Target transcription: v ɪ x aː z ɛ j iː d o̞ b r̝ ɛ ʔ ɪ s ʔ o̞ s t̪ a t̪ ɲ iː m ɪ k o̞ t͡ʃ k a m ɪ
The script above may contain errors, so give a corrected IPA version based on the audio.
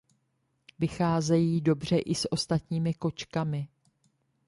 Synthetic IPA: v ɪ x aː z ɛ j iː d o̞ b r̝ ɛ ʔ ɪ s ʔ o̞ s t̪ a t̪ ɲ iː m ɪ k o̞ t͡ʃ k a m ɪ